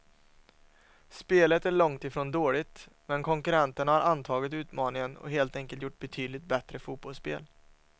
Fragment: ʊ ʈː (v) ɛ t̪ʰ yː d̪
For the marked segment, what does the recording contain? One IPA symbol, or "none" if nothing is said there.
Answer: b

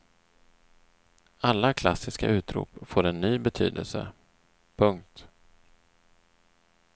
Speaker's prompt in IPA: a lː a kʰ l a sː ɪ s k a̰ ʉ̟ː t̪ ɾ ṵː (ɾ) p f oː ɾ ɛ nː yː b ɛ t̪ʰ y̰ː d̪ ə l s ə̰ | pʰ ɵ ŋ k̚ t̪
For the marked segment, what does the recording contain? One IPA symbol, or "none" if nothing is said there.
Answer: none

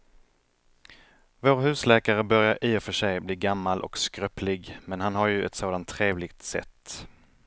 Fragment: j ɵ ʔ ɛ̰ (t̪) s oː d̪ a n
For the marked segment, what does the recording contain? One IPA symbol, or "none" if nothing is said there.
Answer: t̪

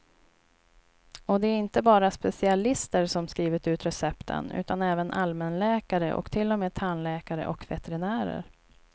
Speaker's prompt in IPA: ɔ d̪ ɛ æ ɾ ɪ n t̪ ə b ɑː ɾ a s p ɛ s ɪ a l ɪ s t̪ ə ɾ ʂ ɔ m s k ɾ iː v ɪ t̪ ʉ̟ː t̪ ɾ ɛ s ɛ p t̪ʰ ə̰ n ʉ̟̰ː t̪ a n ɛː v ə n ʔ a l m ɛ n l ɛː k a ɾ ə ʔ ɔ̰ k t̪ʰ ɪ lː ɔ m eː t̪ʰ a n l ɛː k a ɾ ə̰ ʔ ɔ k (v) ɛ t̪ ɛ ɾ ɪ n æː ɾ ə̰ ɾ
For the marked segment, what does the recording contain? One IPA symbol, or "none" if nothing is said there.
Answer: v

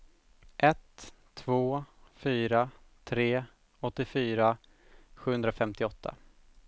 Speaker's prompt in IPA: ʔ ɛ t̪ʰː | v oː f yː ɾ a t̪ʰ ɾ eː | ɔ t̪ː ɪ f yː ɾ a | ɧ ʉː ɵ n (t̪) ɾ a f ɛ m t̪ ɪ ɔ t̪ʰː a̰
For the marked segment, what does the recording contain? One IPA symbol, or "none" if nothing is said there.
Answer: d̪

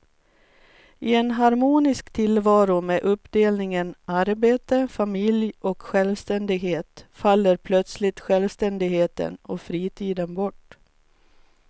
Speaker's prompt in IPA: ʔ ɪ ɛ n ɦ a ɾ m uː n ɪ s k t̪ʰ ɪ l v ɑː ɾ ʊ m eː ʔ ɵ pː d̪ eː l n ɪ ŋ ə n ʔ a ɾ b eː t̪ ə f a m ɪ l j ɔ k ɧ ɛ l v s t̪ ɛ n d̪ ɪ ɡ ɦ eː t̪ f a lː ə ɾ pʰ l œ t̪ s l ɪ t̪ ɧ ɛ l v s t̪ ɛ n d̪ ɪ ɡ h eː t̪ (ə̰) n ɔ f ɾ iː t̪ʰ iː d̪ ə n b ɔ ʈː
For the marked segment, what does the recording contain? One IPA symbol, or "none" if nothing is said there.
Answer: ə̰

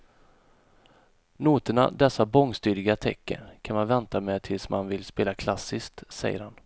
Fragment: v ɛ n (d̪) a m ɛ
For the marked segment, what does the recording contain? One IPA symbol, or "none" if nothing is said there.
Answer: t̪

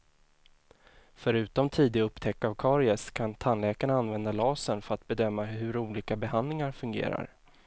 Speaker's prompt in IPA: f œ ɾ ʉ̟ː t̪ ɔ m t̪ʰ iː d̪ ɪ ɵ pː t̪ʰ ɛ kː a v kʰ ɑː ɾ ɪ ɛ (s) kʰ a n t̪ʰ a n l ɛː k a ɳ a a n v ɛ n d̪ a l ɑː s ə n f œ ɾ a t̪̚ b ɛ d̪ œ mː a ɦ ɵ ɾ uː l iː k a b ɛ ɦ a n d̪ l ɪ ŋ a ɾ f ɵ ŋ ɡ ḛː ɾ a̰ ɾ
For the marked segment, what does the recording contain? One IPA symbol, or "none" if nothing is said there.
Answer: s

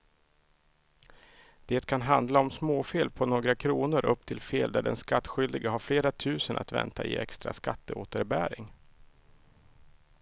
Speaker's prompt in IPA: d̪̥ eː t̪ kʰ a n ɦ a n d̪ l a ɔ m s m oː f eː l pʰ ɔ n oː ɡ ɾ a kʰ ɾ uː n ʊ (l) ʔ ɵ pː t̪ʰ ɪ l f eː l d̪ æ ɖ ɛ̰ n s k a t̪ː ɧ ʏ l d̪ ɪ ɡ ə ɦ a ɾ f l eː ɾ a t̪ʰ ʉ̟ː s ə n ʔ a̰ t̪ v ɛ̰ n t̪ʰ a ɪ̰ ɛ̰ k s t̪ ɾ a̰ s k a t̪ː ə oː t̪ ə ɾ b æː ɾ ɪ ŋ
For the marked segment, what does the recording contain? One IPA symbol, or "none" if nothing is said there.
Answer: ɾ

